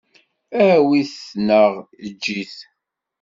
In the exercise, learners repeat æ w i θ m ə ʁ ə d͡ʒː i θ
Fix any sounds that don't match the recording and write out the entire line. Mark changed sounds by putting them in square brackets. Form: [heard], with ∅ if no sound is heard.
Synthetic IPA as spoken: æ w i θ [n] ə ʁ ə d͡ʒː i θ